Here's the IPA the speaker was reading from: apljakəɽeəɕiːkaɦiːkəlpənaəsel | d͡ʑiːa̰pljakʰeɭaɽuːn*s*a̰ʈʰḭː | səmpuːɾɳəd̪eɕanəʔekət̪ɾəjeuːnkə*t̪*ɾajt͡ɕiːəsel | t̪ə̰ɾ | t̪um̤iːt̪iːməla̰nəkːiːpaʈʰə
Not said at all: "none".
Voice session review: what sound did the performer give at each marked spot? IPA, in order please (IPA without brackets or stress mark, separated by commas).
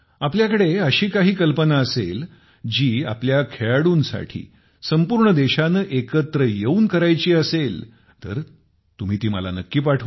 s, none